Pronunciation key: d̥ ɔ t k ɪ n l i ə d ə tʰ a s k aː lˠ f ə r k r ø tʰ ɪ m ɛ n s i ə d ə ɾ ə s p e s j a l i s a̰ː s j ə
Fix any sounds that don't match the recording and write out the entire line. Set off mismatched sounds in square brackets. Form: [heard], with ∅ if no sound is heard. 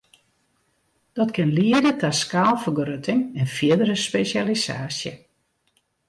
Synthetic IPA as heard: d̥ ɔ t k ɪ n l i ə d ə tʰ a s k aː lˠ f ə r [ɡ] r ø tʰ ɪ [ŋ] ɛ n [f] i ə d ə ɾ ə s p e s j a l i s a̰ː s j ə